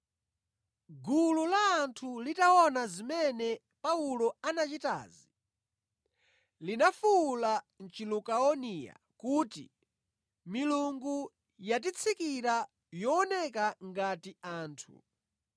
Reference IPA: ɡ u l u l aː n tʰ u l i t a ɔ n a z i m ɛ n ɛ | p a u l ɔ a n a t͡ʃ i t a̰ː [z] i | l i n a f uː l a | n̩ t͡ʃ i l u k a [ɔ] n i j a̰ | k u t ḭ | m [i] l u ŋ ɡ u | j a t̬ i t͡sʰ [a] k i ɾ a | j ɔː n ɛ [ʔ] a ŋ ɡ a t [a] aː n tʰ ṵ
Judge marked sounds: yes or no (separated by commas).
yes, yes, yes, no, no, no